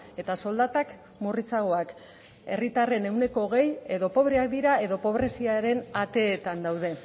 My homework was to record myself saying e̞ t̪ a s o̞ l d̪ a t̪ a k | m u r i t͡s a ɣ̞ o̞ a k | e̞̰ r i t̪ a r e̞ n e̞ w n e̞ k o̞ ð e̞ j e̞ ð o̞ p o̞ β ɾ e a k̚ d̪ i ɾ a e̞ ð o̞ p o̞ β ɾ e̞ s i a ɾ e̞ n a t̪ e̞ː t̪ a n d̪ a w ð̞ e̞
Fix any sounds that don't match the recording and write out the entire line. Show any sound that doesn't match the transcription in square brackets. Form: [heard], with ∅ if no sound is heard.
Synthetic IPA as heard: e̞ t̪ a s o̞ l d̪ a t̪ a k | m u r i t͡s a ɣ̞ o̞ a k | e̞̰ r i t̪ a r e̞ n e̞ w n e̞ k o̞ [ɣ] e̞ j e̞ ð o̞ p o̞ β ɾ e a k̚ d̪ i ɾ a e̞ ð o̞ p o̞ β ɾ e̞ s i a ɾ e̞ n a t̪ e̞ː t̪ a n d̪ a w ð̞ e̞